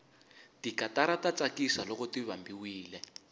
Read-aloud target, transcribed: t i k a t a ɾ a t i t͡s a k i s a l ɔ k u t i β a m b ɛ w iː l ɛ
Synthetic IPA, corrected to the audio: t i k a t a ɾ a t a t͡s a k i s a l ɔ k ɔ t i β a m b i w iː l ɛ